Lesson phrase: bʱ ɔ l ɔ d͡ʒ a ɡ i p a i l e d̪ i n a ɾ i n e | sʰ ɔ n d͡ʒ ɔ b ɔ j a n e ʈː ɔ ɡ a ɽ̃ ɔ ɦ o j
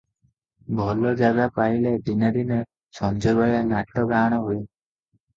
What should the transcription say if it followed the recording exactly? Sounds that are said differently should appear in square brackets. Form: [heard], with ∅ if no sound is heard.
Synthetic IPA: bʱ ɔ l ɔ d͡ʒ a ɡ [a] p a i l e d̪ i n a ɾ i n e | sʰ ɔ n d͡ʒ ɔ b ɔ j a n [a] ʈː ɔ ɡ a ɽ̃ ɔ ɦ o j

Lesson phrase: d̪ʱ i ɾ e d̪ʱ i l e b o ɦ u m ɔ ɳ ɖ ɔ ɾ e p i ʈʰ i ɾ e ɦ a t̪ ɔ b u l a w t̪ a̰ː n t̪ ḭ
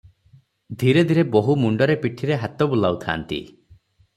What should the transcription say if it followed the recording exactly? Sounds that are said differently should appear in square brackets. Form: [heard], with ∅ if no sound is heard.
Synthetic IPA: d̪ʱ i ɾ e d̪ʱ i [ɾ] e b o ɦ u m [u] ɳ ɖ ɔ ɾ e p i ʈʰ i ɾ e ɦ a t̪ ɔ b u l a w [t̪ʰ] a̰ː n t̪ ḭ

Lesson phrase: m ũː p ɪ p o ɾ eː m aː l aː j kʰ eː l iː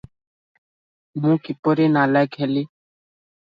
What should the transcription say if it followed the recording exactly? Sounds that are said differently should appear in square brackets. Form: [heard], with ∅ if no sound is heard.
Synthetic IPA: m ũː [k] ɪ p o ɾ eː [n] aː l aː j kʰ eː l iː

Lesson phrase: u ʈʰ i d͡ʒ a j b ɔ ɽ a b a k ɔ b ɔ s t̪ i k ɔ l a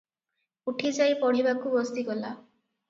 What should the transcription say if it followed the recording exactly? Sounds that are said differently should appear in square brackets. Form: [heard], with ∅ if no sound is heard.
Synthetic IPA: u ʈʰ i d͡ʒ a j [p] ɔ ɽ [i] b a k [u] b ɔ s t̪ i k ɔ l a

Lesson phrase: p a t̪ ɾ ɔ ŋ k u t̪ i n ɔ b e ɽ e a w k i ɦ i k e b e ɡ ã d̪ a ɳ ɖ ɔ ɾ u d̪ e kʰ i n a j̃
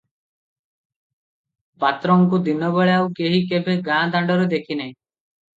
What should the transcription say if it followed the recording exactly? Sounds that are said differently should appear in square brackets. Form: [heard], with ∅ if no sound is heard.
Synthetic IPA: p a t̪ ɾ ɔ ŋ k u [d̪] i n ɔ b e [ɭ] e a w k [e] ɦ i k e b e ɡ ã d̪ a ɳ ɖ ɔ ɾ u d̪ e kʰ i n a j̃

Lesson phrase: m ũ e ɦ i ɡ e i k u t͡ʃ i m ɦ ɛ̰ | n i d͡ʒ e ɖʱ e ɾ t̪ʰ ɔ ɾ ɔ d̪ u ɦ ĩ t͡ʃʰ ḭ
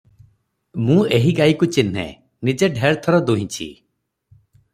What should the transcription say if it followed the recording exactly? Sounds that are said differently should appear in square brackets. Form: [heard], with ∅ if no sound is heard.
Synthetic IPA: m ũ e ɦ i ɡ [a] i k u t͡ʃ i [n] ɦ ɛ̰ | n i d͡ʒ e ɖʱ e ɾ t̪ʰ ɔ ɾ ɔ d̪ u ɦ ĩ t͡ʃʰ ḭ

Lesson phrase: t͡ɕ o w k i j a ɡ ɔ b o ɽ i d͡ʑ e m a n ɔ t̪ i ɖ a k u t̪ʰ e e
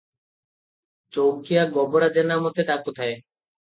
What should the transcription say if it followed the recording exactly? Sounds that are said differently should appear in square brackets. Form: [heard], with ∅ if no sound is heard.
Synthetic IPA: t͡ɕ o w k i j a ɡ ɔ b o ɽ [a] d͡ʑ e [n] a [m] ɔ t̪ [e] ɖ a k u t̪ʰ [a] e

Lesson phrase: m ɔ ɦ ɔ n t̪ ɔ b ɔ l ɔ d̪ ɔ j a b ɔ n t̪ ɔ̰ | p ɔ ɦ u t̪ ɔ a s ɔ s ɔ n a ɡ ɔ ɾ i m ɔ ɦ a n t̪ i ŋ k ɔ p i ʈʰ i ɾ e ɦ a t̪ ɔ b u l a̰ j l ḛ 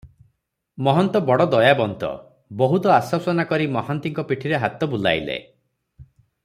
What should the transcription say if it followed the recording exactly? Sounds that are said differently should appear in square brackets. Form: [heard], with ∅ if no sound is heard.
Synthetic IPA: m ɔ ɦ ɔ n t̪ ɔ b ɔ [ɽ] ɔ d̪ ɔ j a b ɔ n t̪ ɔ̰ | [b] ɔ ɦ u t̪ ɔ a s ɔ s ɔ n a [k] ɔ ɾ i m ɔ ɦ a n t̪ i ŋ k ɔ p i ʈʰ i ɾ e ɦ a t̪ ɔ b u l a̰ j l ḛ

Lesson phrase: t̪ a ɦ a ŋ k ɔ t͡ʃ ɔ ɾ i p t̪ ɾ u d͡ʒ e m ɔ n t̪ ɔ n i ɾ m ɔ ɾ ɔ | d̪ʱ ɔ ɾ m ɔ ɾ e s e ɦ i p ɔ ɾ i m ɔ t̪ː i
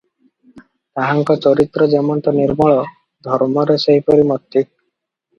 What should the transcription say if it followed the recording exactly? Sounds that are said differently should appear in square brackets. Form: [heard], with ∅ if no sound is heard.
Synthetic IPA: t̪ a ɦ a ŋ k ɔ t͡ʃ ɔ ɾ i [∅] t̪ ɾ [ɔ] d͡ʒ e m ɔ n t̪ ɔ n i ɾ m ɔ [ɭ] ɔ | d̪ʱ ɔ ɾ m ɔ ɾ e s e ɦ i p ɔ ɾ i m ɔ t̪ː i

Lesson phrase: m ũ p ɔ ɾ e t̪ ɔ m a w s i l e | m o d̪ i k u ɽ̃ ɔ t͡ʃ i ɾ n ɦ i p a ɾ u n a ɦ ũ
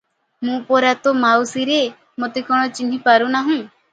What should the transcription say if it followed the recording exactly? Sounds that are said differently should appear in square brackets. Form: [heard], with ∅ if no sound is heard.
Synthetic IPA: m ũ p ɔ ɾ [a] t̪ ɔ m a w s i [ɾ] e | m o [t̪] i k [ɔ] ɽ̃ ɔ t͡ʃ i [∅] n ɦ i p a ɾ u n a ɦ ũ

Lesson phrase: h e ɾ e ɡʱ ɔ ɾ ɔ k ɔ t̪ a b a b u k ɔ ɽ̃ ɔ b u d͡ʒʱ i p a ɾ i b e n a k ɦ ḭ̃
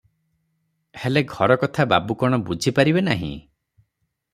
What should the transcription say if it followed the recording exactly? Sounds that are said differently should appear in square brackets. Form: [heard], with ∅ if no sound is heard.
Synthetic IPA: h e [l] e ɡʱ ɔ ɾ ɔ k ɔ [t̪ʰ] a b a b u k ɔ ɽ̃ ɔ b u d͡ʒʱ i p a ɾ i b e n a [∅] ɦ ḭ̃

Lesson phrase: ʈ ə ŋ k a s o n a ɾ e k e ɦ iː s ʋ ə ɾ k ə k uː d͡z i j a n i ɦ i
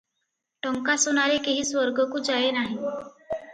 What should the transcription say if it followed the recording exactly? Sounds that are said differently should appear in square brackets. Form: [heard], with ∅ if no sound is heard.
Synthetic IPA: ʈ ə ŋ k a s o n a ɾ e k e ɦ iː s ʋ ə ɾ [ɡ] ə k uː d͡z [a] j [e] n [a] ɦ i

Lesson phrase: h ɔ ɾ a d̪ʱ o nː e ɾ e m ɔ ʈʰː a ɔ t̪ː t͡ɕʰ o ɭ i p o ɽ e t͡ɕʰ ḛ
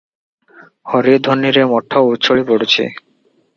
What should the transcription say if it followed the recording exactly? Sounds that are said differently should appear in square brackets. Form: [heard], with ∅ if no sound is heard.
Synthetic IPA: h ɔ ɾ [i] d̪ʱ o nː [i] ɾ e m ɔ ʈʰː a [u] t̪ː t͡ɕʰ o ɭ i p o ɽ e t͡ɕʰ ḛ

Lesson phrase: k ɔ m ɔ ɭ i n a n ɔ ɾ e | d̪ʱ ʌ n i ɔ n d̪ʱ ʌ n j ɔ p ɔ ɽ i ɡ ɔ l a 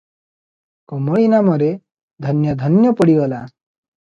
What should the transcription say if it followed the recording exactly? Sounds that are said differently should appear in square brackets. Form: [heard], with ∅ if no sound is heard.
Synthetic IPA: k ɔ m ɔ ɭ i n a [m] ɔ ɾ e | d̪ʱ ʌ n [j] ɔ [∅] d̪ʱ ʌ n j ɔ p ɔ ɽ i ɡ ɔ l a

